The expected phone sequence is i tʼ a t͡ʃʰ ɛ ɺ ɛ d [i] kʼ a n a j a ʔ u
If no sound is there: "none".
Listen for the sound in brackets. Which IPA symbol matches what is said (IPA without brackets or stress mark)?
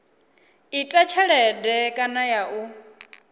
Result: ɛ